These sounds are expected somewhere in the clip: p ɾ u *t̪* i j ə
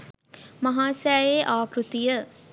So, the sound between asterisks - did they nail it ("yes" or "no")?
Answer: yes